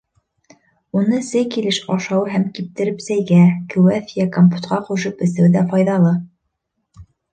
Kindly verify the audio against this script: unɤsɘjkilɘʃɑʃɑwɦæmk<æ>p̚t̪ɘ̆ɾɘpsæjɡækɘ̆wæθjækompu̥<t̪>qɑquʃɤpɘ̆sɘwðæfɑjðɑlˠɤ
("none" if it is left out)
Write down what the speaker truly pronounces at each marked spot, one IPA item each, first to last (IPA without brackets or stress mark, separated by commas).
i, t̪